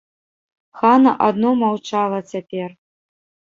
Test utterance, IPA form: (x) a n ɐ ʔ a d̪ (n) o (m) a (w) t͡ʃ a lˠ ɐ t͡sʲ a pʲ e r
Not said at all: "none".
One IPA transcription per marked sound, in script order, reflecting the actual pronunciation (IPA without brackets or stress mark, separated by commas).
x, n, m, w